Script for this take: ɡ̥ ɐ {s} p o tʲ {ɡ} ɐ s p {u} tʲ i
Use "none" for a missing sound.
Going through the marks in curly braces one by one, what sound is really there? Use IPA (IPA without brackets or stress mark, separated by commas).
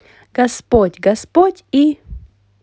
s, ɡ, o